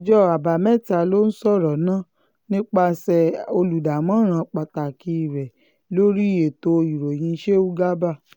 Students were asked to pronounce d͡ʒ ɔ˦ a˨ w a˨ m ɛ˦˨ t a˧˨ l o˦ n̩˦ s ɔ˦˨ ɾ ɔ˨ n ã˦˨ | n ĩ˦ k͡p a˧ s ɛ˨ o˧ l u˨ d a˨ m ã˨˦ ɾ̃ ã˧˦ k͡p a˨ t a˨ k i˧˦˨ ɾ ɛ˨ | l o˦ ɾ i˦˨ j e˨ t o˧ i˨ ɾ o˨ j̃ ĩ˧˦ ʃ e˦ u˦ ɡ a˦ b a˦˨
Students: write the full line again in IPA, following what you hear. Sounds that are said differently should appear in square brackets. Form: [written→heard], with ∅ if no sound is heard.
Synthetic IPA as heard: d͡ʒ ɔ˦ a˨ [w→b] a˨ m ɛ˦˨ t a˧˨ l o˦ n̩˦ s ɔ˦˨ ɾ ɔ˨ n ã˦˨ | n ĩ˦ k͡p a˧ s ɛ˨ o˧ l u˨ d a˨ m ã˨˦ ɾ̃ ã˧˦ k͡p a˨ t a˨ k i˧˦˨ ɾ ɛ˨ | l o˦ ɾ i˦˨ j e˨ t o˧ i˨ ɾ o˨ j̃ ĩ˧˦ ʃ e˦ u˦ ɡ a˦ b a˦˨

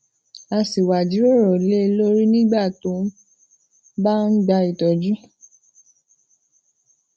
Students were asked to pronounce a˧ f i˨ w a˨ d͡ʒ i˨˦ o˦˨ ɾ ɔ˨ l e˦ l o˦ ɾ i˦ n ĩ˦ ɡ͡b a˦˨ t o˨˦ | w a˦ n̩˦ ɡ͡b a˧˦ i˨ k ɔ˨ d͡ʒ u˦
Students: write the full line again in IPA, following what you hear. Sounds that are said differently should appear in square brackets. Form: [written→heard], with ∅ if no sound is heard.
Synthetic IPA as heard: a˧ [f→s] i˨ w a˨ d͡ʒ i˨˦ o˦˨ ɾ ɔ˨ l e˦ l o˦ ɾ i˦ n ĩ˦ ɡ͡b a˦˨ t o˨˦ | [w→b] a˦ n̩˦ ɡ͡b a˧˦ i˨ [k→t] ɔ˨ d͡ʒ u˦

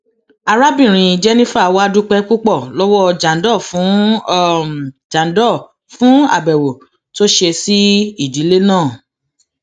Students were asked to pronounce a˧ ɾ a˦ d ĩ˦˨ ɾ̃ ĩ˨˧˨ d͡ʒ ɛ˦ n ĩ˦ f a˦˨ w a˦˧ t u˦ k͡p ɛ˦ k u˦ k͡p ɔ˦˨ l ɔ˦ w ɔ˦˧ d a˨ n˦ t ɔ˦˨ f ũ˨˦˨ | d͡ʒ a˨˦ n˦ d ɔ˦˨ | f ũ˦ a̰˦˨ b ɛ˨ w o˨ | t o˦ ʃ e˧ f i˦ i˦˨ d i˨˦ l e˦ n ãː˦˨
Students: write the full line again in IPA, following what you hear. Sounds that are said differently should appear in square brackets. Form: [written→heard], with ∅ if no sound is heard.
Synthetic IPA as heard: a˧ ɾ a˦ [d→b] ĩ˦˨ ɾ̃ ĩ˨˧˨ d͡ʒ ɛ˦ n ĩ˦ f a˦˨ w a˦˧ [t→d] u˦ k͡p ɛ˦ k u˦ k͡p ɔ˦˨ l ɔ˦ w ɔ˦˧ [d→d͡ʒ] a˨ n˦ [t→d] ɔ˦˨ f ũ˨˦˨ | d͡ʒ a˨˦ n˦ d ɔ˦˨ | f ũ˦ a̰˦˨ b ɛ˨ w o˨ | t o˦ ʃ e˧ [f→s] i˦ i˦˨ d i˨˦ l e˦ n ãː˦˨

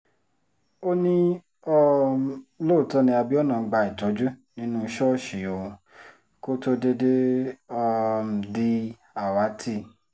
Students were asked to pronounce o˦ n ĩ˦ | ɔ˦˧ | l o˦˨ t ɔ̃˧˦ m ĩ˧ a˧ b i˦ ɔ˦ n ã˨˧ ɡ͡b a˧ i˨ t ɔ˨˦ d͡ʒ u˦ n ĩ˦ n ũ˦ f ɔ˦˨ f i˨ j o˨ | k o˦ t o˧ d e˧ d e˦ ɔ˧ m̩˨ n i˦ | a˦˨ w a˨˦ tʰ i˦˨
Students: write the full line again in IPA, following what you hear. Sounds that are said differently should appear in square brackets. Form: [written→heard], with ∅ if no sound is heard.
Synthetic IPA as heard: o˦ n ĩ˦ | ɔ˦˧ | l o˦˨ t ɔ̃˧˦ [m→n] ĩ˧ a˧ b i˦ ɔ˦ n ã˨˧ ɡ͡b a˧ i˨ t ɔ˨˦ d͡ʒ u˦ n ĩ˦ n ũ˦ [f→ʃ] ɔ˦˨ [f→ʃ] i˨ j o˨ | k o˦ t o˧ d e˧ d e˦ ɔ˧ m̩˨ [n→d] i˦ | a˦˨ w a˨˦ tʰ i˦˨

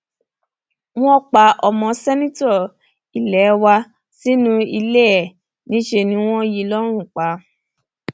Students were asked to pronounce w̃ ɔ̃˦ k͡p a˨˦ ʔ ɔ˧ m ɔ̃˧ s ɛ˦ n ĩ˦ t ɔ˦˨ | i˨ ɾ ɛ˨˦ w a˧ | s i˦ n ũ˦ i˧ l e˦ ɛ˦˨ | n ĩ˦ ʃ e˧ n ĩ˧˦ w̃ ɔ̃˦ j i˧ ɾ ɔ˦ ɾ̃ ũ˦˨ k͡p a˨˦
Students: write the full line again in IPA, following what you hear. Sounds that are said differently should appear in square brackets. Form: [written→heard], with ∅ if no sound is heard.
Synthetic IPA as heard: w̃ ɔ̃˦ k͡p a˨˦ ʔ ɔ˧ m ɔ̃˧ s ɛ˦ n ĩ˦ t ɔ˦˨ | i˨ [ɾ→l] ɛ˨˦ w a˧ | s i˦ n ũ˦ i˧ l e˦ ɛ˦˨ | n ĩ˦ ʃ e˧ n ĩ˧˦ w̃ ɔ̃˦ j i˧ [ɾ→l] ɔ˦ ɾ̃ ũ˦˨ k͡p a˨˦

